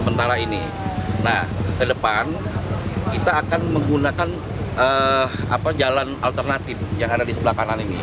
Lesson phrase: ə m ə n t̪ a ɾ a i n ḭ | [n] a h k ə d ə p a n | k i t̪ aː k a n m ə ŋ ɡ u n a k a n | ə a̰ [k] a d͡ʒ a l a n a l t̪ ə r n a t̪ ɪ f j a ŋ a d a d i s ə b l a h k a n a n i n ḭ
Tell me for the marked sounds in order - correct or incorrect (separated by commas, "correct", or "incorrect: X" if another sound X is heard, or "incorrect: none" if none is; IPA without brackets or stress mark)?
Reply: correct, incorrect: p